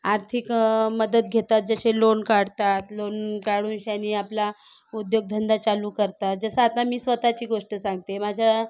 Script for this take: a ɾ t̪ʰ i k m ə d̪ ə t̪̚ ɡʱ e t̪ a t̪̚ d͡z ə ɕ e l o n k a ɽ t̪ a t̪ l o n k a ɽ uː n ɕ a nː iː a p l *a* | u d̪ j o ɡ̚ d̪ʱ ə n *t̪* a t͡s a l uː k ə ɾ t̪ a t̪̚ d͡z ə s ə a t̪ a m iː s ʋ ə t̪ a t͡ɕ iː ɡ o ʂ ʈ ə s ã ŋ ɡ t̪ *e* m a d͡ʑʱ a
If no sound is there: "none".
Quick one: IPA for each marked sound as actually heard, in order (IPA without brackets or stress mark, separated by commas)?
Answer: a, d̪, e